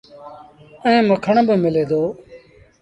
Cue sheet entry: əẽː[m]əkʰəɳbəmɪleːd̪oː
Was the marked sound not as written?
no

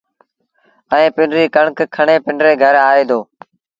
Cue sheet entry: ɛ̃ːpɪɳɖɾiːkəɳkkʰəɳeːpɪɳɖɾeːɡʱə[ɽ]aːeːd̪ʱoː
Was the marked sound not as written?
yes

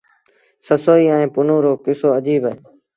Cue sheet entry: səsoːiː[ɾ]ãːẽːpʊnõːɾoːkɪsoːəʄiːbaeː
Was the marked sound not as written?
yes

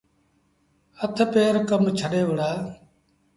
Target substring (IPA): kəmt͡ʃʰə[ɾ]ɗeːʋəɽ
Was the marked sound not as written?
yes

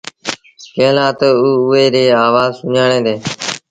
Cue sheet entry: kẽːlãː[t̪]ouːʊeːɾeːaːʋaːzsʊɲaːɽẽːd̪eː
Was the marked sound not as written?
no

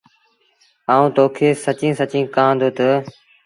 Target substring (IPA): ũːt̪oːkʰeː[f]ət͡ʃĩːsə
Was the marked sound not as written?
yes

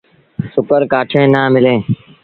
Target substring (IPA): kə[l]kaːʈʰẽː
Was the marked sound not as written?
yes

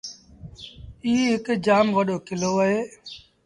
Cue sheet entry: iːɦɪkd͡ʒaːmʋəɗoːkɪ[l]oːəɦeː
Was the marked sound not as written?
no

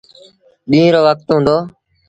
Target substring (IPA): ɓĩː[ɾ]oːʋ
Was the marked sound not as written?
no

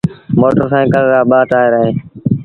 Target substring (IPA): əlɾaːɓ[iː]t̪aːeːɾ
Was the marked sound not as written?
yes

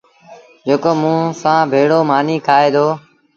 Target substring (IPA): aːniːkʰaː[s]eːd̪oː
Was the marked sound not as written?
yes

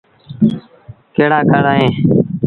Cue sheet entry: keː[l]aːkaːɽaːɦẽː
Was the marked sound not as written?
yes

